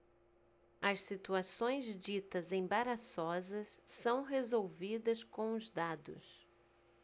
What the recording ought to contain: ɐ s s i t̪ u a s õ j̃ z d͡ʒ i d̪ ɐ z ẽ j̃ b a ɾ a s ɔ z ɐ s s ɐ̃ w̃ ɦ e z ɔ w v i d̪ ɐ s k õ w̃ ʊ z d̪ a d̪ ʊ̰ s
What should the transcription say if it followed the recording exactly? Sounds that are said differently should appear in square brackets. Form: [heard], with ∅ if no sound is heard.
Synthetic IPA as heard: ɐ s s i t̪ u a s õ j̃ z d͡ʒ i [t̪] ɐ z ẽ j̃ b a ɾ a s ɔ z ɐ s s ɐ̃ w̃ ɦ e z [o] w v i d̪ ɐ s k õ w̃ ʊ z d̪ a d̪ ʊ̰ s